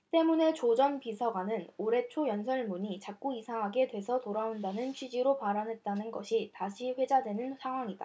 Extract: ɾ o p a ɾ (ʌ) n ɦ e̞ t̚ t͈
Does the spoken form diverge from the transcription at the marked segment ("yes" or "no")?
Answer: yes